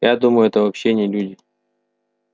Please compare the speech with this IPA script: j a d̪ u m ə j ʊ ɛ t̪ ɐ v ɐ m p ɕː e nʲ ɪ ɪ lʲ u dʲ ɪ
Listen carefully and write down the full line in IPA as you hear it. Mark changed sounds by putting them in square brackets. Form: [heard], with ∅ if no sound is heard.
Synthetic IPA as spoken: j a d̪ u m ə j ʊ ɛ t̪ [ə] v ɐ [∅] p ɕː e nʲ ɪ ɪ lʲ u dʲ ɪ

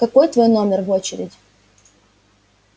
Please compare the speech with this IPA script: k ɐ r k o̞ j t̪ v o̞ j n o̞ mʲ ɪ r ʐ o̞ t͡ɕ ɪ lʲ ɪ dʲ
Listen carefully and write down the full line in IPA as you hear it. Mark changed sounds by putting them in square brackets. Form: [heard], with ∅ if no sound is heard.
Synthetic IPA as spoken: k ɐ [∅] k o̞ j t̪ v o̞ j n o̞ mʲ ɪ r [v] o̞ t͡ɕ ɪ [ɾʲ] ɪ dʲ

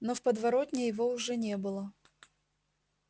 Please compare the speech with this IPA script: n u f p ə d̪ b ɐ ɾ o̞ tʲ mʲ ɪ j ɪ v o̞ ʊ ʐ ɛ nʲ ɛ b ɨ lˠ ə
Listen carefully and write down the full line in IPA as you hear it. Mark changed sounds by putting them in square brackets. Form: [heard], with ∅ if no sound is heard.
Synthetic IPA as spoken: n [o] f p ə d̪ [v] ɐ ɾ o̞ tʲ [nʲ] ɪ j ɪ v o̞ ʊ ʐ ɛ nʲ [e] b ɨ lˠ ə

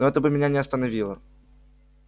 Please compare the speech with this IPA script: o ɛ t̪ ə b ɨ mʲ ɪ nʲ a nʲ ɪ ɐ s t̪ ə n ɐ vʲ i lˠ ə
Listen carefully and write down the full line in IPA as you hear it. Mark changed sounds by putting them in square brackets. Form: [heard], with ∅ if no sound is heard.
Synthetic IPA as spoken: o ɛ t̪ ə b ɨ mʲ ɪ nʲ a nʲ ɪ ɐ s t̪ ə n ɐ vʲ i lˠ ə

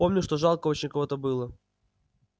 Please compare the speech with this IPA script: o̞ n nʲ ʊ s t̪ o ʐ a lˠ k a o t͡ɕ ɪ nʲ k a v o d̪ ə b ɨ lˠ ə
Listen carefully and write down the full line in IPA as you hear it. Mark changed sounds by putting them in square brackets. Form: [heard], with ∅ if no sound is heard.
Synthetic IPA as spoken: o̞ [m] nʲ ʊ [ʂ] t̪ o ʐ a lˠ k [ə] o t͡ɕ ɪ nʲ k [ɐ] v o [t̪] ə b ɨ lˠ ə

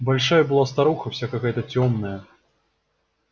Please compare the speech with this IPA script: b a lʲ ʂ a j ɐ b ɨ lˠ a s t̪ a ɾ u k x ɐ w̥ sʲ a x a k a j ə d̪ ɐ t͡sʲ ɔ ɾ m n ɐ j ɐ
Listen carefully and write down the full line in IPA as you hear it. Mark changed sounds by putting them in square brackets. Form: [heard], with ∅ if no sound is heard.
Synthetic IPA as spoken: b a lʲ ʂ a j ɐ b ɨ lˠ a s t̪ a ɾ u [∅] x ɐ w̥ sʲ a [k] a k a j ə [t̪] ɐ t͡sʲ ɔ [∅] m n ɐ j ɐ

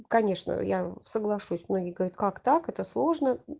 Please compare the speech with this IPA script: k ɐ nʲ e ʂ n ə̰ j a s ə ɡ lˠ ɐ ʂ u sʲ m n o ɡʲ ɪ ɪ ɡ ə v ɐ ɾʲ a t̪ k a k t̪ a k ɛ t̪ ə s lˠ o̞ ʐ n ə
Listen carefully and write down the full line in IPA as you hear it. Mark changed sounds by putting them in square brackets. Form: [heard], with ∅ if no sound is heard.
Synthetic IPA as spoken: k ɐ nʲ e ʂ n ə̰ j a s ə ɡ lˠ ɐ ʂ u sʲ m n o ɡʲ ɪ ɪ ɡ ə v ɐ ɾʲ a t̪ k a k t̪ a k ɛ t̪ ə s lˠ o̞ ʐ n ə

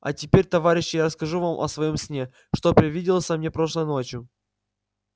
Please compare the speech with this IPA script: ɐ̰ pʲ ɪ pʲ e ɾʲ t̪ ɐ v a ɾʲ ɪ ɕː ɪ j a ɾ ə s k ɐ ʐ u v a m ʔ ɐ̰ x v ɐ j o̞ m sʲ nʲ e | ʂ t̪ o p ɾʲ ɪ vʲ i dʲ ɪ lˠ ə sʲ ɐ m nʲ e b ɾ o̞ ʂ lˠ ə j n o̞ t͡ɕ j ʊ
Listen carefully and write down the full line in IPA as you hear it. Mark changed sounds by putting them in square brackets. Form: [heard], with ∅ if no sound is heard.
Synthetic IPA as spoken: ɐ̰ [tʲ] ɪ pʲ e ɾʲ t̪ ɐ v a ɾʲ ɪ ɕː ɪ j a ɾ ə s k ɐ ʐ u v a m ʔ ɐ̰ [s] v ɐ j o̞ m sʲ nʲ e | ʂ t̪ o p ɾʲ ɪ vʲ i dʲ ɪ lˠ ə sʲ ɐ m nʲ e [p] ɾ o̞ ʂ lˠ ə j n o̞ t͡ɕ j ʊ

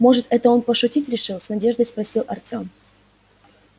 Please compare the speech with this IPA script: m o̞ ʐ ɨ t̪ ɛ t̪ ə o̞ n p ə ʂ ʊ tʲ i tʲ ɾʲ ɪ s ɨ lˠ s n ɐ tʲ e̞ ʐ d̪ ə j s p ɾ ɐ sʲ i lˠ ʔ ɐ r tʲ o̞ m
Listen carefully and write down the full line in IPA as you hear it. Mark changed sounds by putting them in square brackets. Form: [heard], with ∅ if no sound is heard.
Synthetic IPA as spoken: m o̞ ʐ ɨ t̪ ɛ t̪ ə o̞ n p ə ʂ ʊ tʲ i tʲ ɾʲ ɪ [ʂ] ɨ lˠ s n ɐ [dʲ] e̞ ʐ d̪ ə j s p ɾ ɐ sʲ i lˠ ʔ ɐ r tʲ o̞ m

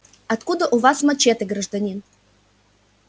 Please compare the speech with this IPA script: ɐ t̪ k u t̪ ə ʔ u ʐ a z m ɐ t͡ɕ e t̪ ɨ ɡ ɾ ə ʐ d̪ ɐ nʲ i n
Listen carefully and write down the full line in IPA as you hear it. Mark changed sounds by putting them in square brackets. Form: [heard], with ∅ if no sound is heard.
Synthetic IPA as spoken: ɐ t̪ k u [d̪] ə ʔ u [v] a [s] m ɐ t͡ɕ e t̪ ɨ ɡ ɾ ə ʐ d̪ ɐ nʲ i n

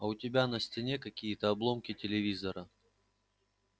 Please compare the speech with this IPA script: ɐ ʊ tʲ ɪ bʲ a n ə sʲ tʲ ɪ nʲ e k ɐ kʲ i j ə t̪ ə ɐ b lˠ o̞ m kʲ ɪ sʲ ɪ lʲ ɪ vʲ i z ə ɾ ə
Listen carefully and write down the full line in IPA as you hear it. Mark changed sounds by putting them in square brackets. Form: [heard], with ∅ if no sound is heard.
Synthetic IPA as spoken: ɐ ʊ tʲ ɪ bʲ a n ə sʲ tʲ ɪ nʲ e k ɐ kʲ i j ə t̪ ə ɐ b lˠ o̞ m kʲ ɪ [tʲ] ɪ lʲ ɪ vʲ i z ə ɾ ə

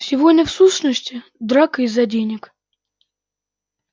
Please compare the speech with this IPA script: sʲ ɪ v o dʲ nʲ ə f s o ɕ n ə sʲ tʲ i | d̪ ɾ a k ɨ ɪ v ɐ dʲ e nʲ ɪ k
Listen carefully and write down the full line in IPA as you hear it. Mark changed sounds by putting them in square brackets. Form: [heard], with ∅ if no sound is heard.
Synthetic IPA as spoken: sʲ ɪ v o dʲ nʲ ə f s [u] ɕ n ə sʲ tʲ [ɪ] | d̪ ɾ a k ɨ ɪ [z] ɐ dʲ e nʲ ɪ k

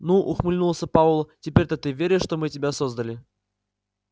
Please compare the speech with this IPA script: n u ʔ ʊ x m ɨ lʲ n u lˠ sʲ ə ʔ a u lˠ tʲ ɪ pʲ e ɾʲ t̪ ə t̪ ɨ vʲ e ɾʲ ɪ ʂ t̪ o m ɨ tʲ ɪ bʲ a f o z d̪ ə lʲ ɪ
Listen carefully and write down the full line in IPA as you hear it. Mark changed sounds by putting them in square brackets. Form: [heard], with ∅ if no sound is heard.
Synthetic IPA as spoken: n u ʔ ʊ x m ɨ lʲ n u lˠ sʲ ə [p] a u lˠ tʲ ɪ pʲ e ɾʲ t̪ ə t̪ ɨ vʲ e ɾʲ ɪ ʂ t̪ o m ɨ tʲ ɪ bʲ a [s] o z d̪ ə lʲ ɪ

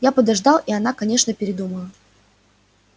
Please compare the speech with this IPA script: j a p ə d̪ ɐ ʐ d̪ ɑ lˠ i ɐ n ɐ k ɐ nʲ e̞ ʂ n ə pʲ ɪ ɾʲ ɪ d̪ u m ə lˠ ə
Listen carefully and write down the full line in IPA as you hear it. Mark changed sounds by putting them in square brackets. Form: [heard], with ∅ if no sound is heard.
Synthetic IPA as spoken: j a p ə d̪ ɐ ʐ d̪ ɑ lˠ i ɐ n [a] k ɐ nʲ e̞ ʂ n ə pʲ ɪ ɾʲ ɪ d̪ u m ə lˠ ə

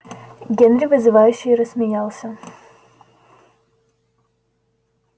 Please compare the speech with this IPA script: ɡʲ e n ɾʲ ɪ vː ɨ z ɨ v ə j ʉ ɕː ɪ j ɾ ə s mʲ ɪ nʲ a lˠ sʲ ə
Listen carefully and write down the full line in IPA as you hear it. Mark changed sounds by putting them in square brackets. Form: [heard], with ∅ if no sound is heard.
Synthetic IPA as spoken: ɡʲ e n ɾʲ ɪ [v] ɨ z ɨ v [a] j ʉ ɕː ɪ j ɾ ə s mʲ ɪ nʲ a lˠ sʲ ə

